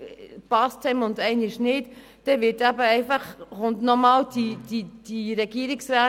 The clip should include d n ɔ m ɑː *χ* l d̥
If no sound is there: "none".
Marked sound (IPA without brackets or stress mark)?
none